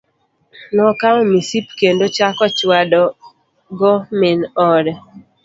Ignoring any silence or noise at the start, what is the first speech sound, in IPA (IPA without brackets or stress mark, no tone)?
n